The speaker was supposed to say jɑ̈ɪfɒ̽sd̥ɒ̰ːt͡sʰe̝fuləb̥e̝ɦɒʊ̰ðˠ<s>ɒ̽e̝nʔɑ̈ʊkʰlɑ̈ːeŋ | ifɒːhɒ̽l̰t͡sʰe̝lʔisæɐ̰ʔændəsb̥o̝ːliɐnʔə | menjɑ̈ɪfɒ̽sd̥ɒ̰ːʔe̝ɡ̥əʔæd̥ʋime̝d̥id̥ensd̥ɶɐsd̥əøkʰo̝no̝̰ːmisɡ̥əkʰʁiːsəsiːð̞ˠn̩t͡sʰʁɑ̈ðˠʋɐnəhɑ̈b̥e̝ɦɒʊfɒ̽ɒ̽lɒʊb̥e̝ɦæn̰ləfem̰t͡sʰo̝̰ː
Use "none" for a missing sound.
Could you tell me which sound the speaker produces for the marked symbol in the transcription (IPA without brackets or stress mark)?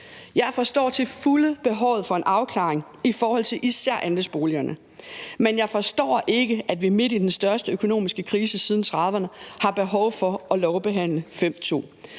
f